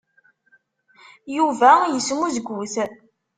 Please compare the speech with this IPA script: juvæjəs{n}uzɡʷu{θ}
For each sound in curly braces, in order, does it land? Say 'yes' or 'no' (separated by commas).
no, yes